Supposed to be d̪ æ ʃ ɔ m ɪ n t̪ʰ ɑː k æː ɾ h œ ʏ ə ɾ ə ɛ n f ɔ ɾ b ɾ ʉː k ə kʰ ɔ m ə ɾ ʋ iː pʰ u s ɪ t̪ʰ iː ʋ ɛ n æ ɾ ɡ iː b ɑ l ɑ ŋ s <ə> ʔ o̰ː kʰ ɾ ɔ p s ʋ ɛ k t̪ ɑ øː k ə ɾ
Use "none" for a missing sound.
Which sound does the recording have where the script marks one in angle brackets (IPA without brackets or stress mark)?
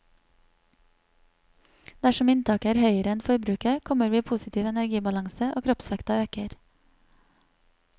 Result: ə